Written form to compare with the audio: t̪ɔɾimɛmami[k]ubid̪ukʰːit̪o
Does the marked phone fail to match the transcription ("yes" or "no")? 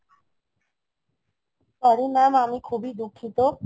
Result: yes